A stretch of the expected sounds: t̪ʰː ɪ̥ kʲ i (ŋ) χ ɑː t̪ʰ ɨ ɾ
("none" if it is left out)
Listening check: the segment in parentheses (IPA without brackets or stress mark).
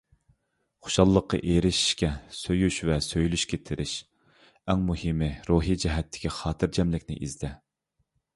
none